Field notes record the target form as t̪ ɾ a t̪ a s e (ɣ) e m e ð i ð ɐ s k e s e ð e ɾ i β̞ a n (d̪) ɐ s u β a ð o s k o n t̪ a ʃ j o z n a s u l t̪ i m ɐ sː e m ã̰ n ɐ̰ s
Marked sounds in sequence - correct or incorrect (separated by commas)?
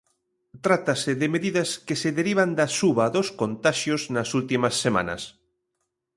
incorrect, correct